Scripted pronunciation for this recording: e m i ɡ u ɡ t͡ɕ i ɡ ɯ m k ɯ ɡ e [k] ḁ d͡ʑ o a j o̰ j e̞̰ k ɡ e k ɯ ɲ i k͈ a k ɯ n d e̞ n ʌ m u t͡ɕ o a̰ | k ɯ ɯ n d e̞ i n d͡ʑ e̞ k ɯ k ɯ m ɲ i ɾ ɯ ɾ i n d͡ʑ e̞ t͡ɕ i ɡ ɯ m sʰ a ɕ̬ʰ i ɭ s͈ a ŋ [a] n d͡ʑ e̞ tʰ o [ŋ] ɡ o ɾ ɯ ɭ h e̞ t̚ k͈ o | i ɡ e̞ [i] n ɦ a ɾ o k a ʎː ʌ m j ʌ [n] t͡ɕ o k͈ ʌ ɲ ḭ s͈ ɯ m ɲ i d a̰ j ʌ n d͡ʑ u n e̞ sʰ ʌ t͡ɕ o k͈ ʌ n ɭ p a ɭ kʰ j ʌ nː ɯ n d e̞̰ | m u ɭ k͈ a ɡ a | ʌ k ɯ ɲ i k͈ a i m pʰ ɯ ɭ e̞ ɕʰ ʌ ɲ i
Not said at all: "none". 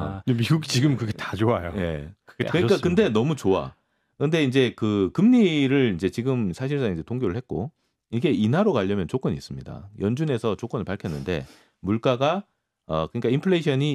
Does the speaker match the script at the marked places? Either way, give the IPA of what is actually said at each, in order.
t, i, ŋ, i, n

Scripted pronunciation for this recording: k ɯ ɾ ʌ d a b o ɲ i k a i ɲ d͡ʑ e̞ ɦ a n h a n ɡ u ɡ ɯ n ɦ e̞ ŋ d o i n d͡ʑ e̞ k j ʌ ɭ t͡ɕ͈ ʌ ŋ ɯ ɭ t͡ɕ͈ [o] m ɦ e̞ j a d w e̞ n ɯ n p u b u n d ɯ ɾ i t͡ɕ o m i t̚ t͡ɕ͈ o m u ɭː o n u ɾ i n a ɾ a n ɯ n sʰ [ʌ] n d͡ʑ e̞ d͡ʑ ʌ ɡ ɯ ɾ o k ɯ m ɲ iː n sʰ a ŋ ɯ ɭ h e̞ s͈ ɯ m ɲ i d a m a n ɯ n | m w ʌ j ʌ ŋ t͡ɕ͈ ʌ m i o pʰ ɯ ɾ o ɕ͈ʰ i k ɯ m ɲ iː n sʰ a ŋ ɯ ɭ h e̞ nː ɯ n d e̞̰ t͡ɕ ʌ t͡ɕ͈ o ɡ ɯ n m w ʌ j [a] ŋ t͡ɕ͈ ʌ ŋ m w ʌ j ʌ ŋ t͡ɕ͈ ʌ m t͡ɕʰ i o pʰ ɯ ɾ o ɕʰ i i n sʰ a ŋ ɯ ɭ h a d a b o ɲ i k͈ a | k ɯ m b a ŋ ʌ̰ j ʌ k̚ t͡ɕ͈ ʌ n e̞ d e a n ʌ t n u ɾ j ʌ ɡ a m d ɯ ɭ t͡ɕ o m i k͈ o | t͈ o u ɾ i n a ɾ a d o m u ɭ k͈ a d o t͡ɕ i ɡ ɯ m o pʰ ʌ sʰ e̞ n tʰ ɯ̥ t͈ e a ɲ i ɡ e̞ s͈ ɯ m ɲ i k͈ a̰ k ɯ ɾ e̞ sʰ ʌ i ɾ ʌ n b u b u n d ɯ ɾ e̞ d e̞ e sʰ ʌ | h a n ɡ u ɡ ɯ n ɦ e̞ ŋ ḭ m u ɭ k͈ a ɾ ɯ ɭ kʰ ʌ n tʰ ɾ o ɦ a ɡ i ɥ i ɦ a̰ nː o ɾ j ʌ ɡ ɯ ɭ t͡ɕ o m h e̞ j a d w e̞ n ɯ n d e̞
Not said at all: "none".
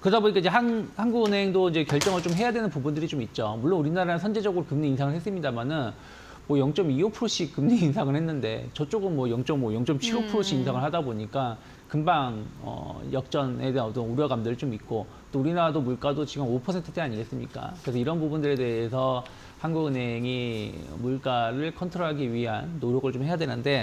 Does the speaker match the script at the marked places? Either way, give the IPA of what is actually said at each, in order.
o, ʌ, ʌ

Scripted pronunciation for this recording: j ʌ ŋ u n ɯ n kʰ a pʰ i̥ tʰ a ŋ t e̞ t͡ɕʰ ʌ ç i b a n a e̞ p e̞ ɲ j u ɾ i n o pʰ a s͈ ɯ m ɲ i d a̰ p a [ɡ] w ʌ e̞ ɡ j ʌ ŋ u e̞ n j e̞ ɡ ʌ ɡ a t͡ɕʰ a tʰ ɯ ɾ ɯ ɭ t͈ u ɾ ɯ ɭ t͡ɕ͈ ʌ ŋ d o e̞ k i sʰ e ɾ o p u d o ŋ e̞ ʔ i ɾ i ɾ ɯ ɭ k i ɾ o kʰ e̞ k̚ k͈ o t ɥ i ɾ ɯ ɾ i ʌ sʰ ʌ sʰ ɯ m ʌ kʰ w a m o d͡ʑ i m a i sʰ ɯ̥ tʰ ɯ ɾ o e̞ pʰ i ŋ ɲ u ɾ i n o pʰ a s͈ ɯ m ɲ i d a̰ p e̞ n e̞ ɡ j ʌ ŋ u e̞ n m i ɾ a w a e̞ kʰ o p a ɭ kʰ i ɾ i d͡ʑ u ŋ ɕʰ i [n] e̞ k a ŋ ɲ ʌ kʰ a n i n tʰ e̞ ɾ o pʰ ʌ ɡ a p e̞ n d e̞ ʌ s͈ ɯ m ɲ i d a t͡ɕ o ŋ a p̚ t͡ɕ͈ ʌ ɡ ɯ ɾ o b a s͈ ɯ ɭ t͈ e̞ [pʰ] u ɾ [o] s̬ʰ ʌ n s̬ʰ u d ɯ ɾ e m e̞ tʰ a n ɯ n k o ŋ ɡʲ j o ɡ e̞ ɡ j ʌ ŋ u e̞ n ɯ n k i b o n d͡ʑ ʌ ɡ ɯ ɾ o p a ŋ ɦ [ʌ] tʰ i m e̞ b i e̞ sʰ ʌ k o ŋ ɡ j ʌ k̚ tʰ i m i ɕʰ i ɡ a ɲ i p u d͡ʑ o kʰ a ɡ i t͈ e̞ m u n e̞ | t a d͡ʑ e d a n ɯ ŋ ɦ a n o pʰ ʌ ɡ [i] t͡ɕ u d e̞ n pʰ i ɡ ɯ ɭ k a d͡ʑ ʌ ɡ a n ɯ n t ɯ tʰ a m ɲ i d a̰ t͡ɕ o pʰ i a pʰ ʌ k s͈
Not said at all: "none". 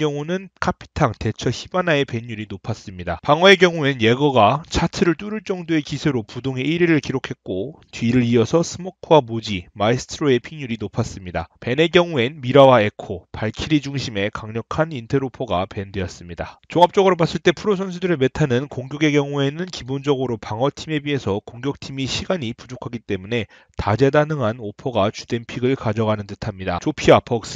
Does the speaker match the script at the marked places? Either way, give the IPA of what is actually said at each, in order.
ŋ, m, pʰ, o, ʌ, a

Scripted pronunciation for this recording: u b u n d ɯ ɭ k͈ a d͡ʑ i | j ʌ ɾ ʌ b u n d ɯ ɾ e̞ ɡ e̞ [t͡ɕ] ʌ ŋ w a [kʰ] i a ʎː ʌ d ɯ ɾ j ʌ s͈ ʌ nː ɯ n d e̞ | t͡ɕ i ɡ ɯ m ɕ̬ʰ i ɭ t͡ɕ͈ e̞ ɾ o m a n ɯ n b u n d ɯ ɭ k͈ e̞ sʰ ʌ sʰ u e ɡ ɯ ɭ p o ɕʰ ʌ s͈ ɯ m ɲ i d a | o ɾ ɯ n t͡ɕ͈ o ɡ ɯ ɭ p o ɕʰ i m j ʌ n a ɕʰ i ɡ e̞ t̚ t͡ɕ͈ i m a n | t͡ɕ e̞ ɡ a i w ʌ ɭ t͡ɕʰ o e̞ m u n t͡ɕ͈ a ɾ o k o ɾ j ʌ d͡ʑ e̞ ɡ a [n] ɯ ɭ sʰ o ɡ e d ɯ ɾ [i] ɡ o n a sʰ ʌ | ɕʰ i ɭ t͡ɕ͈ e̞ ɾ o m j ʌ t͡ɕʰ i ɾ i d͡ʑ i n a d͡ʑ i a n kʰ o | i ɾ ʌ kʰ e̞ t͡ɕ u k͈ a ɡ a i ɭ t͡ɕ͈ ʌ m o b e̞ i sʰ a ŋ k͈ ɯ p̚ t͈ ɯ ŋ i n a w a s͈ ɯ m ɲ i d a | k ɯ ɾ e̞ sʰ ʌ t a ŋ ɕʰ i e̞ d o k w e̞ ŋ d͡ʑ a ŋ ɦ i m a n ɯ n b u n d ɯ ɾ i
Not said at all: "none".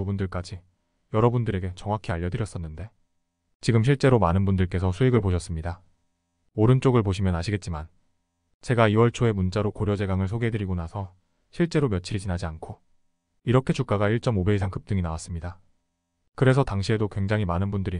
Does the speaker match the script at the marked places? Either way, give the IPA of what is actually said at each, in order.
t͡ɕ, kʰ, ŋ, i

